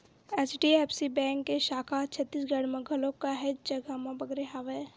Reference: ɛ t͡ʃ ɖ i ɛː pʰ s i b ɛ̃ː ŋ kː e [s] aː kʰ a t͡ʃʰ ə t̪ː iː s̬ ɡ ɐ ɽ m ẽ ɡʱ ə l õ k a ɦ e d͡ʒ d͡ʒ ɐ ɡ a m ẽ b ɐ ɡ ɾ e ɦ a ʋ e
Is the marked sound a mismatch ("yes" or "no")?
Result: yes